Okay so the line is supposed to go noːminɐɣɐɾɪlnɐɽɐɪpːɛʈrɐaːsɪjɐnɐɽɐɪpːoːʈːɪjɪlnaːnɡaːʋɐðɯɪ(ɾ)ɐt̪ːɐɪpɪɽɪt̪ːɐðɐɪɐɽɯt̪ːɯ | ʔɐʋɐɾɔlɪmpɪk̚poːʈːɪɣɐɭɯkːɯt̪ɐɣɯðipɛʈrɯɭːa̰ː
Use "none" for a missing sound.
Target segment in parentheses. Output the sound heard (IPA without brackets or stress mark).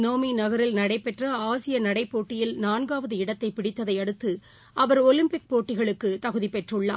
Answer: ɽ